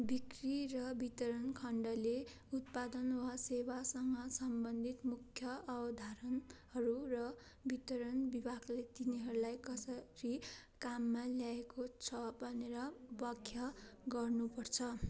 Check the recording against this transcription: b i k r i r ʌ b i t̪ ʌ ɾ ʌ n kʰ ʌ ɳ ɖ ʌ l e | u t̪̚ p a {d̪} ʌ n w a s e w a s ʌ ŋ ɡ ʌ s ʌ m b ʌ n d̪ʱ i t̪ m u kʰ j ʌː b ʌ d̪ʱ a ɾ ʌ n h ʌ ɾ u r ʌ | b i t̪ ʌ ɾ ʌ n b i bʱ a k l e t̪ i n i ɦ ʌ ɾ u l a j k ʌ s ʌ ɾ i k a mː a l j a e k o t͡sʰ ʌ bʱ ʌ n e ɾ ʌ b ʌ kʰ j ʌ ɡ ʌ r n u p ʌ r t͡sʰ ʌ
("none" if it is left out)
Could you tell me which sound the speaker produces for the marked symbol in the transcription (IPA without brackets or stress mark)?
d̪